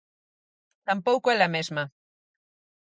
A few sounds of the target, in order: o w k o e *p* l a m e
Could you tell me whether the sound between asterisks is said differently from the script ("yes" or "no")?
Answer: yes